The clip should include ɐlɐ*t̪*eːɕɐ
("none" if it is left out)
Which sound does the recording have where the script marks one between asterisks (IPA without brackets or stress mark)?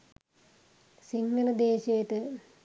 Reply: d̪